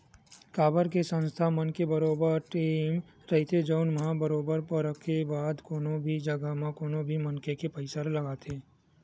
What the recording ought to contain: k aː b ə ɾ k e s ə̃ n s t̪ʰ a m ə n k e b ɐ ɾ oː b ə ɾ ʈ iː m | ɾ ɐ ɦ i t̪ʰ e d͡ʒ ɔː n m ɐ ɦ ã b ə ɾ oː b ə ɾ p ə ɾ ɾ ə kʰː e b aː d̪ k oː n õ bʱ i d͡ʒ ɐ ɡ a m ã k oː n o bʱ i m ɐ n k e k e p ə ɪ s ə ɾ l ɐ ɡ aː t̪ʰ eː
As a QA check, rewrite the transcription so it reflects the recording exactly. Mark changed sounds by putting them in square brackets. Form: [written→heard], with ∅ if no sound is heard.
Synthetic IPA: k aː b ə ɾ k e s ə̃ n s t̪ʰ a m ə n k e b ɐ ɾ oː b ə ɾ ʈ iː m | ɾ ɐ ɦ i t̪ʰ e d͡ʒ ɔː n m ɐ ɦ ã b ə ɾ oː b ə ɾ p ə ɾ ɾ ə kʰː e b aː d̪ k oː n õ bʱ i d͡ʒ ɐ ɡ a m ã k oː n o bʱ i m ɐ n k e k e p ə ɪ s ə ɾ l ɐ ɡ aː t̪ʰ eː